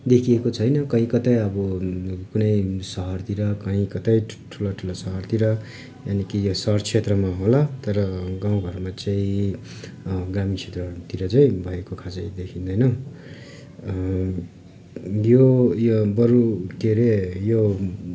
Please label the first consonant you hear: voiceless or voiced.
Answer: voiced